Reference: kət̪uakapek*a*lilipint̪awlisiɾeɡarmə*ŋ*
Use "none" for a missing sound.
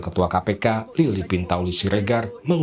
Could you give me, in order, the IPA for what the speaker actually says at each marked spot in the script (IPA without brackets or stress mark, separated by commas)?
a, ŋ